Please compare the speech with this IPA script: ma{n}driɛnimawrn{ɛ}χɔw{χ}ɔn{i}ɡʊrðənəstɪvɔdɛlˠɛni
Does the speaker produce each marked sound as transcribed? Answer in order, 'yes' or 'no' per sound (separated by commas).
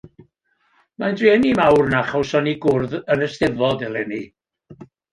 yes, no, no, yes